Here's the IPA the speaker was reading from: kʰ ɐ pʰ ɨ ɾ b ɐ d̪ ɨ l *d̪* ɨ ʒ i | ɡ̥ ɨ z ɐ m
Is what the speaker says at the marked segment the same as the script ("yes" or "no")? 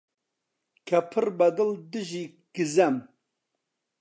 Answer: yes